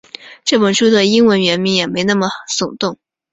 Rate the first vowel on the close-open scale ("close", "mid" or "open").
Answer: mid